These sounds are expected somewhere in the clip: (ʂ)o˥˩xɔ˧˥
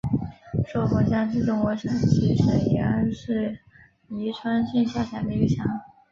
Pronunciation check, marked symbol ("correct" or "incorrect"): correct